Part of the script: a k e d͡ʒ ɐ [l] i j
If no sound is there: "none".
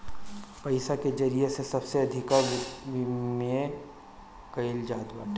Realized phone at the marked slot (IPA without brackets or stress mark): ɾ